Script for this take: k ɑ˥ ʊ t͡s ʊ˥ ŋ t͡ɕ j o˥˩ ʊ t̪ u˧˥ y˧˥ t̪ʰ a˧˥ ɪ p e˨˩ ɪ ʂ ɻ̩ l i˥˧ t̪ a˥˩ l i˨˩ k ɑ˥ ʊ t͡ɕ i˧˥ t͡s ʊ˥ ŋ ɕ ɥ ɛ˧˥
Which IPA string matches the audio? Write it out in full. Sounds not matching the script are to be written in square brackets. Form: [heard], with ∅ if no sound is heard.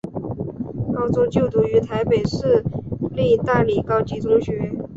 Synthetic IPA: k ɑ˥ ʊ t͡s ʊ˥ ŋ t͡ɕ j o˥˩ ʊ t̪ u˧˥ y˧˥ t̪ʰ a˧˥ ɪ p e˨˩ ɪ ʂ ɻ̩ l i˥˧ t̪ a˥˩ l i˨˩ k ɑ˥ ʊ t͡ɕ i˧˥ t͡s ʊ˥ ŋ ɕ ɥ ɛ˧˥